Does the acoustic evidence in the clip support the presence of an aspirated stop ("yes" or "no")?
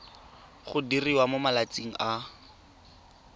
no